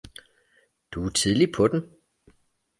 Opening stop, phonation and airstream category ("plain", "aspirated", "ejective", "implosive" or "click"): plain